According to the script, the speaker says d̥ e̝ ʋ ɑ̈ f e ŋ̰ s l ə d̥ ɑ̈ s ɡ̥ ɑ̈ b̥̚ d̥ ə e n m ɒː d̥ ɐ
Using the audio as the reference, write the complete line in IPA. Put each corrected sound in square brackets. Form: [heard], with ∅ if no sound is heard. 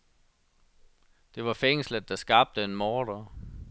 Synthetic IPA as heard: d̥ e̝ ʋ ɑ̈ f e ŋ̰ s l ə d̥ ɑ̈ s ɡ̥ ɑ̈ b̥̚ d̥ ə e n m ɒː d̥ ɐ